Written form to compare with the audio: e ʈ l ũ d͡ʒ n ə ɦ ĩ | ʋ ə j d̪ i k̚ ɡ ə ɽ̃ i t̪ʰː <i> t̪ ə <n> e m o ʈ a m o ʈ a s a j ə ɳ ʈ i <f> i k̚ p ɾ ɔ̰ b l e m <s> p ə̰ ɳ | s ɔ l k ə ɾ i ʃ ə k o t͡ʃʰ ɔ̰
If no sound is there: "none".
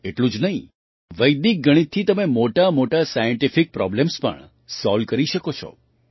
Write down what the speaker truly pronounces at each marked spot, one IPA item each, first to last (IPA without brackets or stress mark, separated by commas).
i, m, f, s